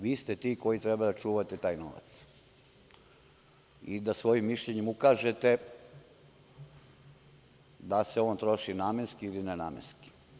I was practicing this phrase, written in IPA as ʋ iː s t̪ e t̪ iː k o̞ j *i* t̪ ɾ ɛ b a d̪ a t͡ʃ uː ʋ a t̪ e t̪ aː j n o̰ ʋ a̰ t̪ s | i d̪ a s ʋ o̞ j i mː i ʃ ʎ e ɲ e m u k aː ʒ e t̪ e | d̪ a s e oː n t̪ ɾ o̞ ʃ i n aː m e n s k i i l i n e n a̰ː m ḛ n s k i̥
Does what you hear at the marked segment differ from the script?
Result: no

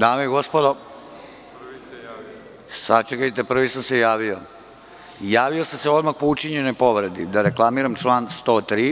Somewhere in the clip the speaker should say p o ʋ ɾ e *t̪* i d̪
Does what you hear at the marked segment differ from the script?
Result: yes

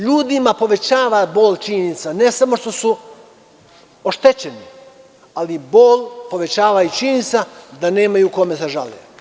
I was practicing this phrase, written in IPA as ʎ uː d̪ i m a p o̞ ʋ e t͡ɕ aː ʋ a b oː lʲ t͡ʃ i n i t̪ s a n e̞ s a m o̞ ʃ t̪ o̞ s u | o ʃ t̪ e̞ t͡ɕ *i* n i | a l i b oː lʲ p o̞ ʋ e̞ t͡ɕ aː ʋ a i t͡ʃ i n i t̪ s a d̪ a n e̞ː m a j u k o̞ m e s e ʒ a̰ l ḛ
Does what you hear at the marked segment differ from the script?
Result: yes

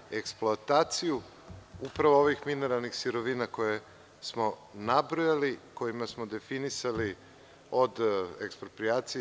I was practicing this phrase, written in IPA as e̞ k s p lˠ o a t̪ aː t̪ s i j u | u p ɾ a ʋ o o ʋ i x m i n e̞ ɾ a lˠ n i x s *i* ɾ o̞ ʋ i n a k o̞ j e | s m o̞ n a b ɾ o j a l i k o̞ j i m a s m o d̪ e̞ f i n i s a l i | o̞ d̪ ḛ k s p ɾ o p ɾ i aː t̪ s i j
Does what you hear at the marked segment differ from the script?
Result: no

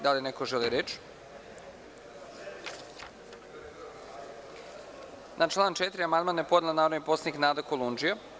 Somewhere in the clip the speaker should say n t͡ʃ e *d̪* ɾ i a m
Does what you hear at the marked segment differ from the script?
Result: yes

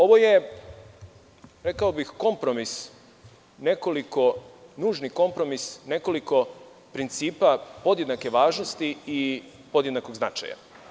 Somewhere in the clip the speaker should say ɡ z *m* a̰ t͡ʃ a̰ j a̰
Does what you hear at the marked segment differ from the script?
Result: yes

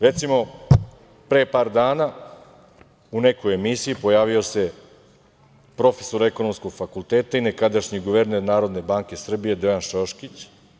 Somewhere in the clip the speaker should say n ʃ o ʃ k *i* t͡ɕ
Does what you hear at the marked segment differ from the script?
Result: no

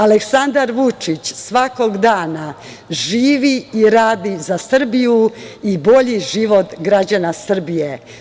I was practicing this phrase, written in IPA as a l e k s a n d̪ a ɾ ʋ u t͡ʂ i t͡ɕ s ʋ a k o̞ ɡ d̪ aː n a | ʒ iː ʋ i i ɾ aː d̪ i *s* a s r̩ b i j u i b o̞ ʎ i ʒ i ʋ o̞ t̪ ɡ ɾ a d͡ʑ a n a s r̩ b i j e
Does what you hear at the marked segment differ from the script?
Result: yes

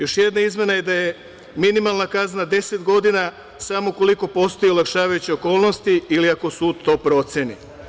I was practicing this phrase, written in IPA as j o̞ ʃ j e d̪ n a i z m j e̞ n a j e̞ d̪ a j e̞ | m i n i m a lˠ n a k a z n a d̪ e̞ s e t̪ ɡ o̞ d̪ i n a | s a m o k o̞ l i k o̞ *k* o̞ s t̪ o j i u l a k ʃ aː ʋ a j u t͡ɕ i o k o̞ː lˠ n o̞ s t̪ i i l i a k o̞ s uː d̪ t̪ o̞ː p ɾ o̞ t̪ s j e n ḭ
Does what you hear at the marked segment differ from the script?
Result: yes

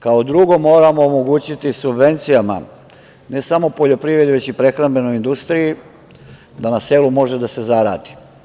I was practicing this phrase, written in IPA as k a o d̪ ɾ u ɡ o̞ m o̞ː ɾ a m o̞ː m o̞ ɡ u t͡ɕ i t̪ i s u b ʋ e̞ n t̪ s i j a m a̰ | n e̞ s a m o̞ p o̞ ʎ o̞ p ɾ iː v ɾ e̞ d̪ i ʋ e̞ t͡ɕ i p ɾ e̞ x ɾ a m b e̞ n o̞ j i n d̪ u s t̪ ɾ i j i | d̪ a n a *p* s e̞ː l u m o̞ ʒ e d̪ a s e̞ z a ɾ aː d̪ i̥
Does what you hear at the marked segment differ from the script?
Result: yes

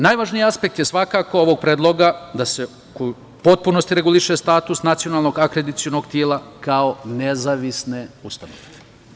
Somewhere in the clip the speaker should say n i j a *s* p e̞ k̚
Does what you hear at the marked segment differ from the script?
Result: no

